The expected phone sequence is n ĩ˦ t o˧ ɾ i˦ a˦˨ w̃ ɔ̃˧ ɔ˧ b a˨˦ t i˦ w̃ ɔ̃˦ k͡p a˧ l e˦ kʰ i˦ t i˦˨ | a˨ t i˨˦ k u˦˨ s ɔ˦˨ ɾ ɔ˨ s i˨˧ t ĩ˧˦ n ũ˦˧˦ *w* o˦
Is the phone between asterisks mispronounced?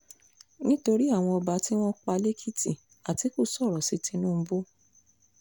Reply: yes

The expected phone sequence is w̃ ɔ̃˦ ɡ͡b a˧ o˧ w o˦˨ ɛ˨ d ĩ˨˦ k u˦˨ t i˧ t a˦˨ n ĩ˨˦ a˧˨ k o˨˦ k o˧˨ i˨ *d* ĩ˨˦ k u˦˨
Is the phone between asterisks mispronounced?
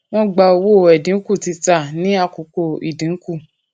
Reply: no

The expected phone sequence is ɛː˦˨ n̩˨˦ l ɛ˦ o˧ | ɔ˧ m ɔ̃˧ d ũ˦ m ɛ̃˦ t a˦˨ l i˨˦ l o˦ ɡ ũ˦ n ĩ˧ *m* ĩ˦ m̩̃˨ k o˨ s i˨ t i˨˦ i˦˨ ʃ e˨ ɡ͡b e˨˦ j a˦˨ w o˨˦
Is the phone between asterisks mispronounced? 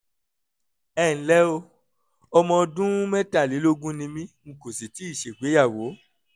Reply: no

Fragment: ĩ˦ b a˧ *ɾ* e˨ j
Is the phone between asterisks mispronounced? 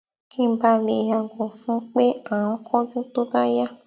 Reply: yes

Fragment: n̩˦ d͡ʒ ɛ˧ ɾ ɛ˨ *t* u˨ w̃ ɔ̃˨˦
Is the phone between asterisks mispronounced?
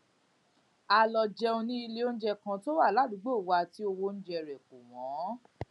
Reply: yes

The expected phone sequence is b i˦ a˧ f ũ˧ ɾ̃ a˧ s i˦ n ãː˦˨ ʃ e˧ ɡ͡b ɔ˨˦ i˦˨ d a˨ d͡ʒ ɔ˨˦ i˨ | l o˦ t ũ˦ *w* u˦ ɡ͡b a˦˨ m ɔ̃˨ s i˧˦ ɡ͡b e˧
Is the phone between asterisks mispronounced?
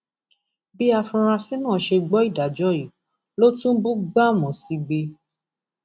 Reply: yes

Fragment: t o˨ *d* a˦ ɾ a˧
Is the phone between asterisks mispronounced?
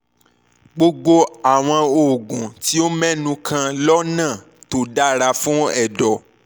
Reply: no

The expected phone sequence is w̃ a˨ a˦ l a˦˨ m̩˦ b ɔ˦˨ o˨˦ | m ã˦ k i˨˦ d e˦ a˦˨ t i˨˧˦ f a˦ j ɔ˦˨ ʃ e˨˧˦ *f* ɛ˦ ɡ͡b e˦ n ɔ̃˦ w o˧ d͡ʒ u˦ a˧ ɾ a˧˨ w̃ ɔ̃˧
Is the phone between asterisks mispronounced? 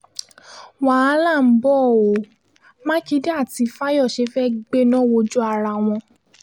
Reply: no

